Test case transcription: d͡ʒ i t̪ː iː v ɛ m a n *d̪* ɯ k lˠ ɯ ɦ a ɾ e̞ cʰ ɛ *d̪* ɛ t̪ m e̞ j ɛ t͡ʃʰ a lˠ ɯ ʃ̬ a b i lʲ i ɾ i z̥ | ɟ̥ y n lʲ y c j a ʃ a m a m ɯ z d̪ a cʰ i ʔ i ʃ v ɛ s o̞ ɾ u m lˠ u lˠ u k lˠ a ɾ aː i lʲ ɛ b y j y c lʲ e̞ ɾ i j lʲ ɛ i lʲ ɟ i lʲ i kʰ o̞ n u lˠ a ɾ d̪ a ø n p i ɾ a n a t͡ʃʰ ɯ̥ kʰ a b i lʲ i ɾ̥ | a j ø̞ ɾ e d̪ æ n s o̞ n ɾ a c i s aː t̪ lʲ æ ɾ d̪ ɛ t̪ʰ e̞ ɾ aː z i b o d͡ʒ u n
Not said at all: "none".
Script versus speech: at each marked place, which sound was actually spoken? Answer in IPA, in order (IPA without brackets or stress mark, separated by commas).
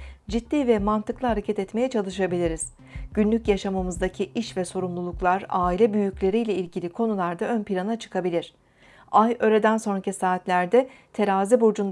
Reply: t̪, t̪